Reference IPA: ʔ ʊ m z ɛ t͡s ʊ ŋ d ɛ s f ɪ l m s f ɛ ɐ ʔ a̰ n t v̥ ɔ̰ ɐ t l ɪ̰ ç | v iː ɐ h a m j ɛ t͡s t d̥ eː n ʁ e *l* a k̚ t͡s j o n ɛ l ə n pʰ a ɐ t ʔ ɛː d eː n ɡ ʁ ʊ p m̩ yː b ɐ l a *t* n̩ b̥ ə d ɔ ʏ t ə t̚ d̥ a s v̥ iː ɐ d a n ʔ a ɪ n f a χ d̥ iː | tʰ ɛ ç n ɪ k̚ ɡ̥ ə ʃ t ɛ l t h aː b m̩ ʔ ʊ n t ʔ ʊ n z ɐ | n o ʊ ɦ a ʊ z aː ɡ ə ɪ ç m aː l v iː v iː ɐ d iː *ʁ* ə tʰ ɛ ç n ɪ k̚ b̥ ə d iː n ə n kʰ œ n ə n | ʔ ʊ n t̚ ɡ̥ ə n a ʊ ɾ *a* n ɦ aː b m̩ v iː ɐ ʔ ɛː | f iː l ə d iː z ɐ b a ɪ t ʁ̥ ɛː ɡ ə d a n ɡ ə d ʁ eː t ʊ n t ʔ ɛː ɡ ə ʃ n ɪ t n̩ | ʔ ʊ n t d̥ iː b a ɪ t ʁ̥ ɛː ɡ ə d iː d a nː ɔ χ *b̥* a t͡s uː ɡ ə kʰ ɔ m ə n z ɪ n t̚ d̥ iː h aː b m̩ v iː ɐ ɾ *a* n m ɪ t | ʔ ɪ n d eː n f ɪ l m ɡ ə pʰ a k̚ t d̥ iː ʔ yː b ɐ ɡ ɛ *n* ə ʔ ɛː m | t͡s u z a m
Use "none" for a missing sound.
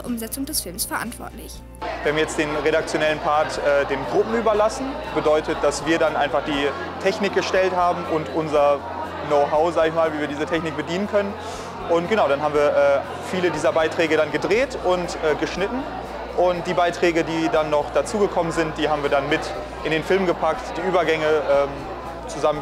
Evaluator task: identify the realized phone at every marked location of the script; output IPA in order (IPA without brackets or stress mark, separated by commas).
ɾ, s, z, a, d̥, a, ŋ